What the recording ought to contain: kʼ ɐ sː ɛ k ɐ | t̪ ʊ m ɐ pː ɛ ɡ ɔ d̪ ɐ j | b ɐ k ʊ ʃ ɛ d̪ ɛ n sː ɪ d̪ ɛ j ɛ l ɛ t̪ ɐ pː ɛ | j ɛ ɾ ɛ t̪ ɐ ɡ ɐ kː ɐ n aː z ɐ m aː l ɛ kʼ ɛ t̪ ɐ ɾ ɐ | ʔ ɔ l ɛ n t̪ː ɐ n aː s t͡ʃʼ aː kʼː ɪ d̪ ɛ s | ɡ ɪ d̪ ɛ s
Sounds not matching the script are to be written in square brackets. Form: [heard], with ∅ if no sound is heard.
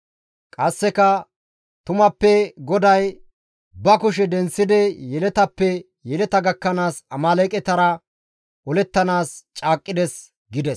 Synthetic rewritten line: kʼ ɐ sː ɛ k ɐ | t̪ ʊ m ɐ pː ɛ ɡ ɔ d̪ ɐ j | b ɐ k ʊ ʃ ɛ d̪ ɛ n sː ɪ d̪ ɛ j ɛ l ɛ t̪ ɐ pː ɛ | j ɛ [l] ɛ t̪ ɐ ɡ ɐ kː ɐ n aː [s] ɐ m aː l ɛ kʼ ɛ t̪ ɐ ɾ ɐ | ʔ ɔ l ɛ [∅] t̪ː ɐ n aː s t͡ʃʼ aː kʼː ɪ d̪ ɛ s | ɡ ɪ d̪ ɛ s